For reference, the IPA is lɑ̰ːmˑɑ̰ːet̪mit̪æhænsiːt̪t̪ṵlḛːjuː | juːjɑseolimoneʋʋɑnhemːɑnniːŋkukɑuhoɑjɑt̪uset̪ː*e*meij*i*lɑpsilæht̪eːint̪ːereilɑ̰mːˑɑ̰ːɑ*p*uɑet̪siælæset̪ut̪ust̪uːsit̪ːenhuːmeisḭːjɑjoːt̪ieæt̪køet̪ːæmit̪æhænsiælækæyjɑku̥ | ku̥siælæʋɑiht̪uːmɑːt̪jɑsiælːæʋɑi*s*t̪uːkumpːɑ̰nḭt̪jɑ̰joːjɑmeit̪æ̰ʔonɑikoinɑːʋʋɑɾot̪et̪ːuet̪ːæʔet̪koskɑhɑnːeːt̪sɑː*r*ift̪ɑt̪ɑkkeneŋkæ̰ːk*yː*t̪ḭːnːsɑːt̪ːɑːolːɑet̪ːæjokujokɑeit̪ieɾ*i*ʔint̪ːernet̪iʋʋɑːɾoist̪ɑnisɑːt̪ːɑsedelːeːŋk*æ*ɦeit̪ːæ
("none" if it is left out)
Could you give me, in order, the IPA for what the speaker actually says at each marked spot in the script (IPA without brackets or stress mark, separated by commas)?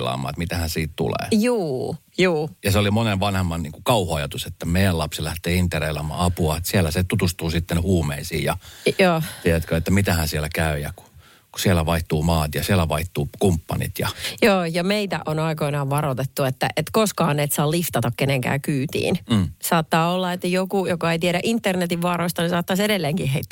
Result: æ, æ, p, h, l, yː, æ, i